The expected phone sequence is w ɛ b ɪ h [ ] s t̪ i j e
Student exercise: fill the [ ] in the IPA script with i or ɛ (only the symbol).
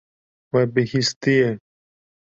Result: i